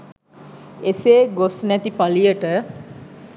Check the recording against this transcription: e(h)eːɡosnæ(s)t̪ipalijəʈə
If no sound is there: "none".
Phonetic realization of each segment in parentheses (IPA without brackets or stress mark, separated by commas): s, none